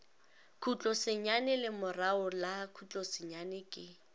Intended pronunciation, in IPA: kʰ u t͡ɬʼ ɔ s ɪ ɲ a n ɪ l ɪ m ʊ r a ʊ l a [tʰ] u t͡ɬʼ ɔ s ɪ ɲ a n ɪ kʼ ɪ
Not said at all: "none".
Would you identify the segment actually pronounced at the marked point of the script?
kʰ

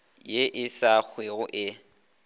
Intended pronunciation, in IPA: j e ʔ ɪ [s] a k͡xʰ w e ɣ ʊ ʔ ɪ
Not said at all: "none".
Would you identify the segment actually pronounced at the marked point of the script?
s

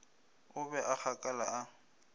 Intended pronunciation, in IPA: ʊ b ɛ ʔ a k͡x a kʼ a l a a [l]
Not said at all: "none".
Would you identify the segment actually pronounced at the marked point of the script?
none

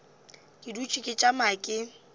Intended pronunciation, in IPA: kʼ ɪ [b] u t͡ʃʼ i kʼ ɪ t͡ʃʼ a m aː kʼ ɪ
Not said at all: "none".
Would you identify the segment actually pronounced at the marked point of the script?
d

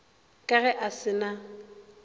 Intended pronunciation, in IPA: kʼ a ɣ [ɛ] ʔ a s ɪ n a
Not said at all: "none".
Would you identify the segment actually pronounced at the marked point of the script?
ɛ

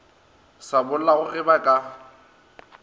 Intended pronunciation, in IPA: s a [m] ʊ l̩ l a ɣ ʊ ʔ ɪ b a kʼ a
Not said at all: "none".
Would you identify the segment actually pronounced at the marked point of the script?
b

